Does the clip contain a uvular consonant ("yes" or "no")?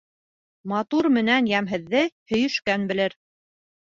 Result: no